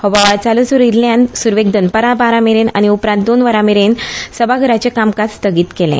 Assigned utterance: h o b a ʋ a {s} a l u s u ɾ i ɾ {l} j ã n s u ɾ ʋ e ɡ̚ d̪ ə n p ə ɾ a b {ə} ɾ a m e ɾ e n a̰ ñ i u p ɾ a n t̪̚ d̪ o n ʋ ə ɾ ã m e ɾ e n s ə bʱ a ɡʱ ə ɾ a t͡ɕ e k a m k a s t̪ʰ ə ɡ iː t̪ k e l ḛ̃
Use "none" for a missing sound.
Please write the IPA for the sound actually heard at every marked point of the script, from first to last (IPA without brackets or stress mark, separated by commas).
t͡s, l, a